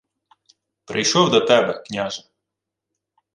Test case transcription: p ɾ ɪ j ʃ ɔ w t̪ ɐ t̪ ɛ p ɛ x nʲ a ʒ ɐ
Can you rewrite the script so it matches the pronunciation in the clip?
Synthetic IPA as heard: p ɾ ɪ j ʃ ɔ w d̪ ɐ t̪ ɛ b ɛ k nʲ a ʒ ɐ